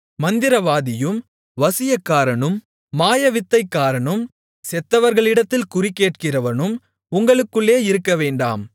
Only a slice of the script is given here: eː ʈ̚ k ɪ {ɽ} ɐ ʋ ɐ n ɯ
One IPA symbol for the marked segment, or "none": r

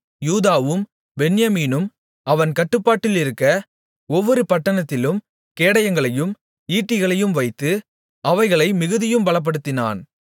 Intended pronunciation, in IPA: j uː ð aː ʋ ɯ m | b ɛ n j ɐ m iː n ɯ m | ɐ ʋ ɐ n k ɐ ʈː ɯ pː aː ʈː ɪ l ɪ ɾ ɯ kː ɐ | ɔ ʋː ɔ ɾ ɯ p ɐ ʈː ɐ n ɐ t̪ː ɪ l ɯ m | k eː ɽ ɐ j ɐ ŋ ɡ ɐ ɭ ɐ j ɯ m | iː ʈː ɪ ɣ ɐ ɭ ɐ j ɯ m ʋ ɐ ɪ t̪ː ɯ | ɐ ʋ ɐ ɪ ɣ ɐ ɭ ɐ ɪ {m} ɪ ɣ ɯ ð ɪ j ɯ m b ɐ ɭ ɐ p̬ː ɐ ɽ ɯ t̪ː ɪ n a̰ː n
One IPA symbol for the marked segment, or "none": m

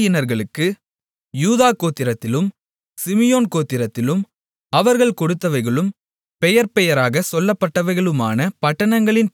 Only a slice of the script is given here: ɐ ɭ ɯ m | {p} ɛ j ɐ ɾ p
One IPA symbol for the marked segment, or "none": p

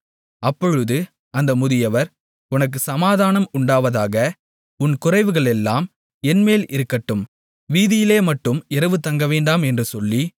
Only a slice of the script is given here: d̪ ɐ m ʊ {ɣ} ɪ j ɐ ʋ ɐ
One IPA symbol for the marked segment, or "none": ð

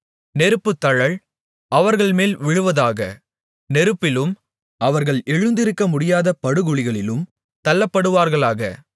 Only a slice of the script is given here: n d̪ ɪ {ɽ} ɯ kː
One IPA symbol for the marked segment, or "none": ɾ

